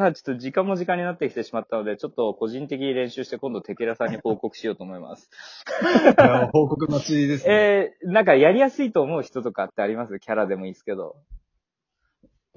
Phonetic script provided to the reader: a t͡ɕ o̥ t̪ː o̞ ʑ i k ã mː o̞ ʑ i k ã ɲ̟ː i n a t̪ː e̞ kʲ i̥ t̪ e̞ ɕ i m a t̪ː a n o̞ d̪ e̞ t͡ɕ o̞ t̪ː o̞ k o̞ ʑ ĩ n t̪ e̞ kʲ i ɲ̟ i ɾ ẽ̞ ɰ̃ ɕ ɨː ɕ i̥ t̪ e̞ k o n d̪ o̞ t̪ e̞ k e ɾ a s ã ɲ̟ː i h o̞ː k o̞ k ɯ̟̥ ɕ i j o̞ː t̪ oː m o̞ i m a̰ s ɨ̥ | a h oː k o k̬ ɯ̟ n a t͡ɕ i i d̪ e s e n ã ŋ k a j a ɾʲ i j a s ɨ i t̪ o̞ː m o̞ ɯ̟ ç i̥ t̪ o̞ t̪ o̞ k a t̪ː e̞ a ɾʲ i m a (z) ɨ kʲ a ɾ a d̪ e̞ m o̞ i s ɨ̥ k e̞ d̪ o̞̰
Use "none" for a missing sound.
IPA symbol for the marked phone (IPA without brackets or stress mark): s